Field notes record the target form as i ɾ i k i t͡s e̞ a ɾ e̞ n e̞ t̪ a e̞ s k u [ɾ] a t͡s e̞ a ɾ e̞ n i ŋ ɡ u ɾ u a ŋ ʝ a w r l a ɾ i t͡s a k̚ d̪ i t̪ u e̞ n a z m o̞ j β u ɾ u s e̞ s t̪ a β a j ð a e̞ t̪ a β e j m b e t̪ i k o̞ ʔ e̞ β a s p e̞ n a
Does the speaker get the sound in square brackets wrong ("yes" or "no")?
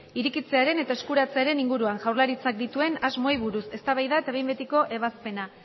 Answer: no